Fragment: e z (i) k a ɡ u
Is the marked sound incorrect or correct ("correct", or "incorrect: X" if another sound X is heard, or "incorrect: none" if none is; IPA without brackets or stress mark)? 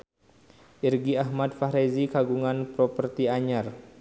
correct